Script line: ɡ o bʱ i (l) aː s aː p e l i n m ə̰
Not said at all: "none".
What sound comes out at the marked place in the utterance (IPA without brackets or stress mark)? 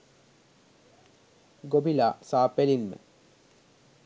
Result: l